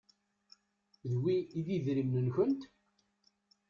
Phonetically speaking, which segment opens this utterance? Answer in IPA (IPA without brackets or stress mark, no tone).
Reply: ð